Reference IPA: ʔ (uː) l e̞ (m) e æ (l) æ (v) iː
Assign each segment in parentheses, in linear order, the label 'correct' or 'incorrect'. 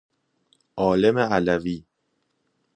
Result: incorrect: ɒː, correct, correct, correct

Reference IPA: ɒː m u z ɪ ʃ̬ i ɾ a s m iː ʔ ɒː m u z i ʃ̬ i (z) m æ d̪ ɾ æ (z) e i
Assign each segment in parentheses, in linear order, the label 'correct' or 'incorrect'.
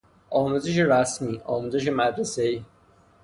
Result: incorrect: none, incorrect: s

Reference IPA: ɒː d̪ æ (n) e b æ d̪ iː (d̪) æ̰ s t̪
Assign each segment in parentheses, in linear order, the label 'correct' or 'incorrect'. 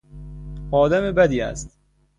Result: incorrect: m, incorrect: none

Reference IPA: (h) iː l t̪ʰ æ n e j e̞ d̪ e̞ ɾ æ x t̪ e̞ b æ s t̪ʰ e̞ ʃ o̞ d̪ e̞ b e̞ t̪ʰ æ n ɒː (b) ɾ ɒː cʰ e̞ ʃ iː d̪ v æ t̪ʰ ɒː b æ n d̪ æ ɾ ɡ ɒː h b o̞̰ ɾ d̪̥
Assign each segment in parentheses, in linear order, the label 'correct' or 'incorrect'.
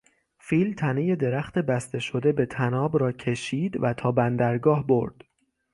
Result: incorrect: f, correct

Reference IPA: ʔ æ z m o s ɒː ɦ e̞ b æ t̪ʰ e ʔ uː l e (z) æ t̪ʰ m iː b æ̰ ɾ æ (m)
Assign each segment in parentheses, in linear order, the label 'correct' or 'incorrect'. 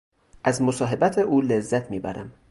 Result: incorrect: zː, correct

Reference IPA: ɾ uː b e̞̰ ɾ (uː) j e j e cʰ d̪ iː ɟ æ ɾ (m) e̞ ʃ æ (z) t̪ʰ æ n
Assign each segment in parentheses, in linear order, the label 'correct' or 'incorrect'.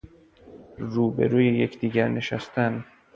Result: correct, incorrect: n, incorrect: s

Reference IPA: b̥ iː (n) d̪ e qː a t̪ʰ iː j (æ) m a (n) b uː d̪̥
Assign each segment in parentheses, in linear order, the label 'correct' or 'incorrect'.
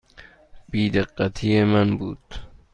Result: incorrect: none, incorrect: e, correct

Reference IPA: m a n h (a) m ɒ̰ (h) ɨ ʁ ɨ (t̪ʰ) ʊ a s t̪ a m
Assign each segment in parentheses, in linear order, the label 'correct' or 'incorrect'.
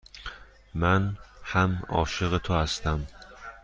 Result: correct, incorrect: ʃ, correct

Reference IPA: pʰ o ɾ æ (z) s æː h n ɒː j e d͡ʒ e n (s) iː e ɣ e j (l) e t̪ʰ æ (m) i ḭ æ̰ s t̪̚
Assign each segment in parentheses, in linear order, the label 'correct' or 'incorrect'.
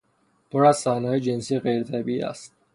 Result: correct, correct, incorrect: ɾ, incorrect: b

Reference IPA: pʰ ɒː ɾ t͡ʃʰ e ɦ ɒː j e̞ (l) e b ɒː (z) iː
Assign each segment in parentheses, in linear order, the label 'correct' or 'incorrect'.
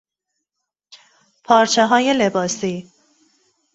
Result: correct, incorrect: s

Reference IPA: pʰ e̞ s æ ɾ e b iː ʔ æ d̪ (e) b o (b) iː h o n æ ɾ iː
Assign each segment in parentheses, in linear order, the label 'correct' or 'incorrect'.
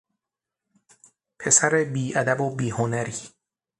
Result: incorrect: æ, correct

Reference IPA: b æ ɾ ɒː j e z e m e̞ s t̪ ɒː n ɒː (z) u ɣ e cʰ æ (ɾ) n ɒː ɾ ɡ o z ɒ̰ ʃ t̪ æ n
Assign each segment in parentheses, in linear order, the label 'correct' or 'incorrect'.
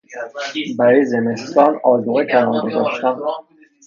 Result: correct, incorrect: none

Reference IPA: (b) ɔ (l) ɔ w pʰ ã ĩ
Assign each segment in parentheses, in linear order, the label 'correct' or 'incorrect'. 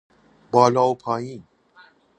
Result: correct, correct

